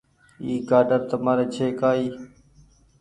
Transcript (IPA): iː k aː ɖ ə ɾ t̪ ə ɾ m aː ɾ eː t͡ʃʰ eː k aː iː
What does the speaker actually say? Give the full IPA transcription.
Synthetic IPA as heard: iː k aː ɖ ə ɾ t̪ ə m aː ɾ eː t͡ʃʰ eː k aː iː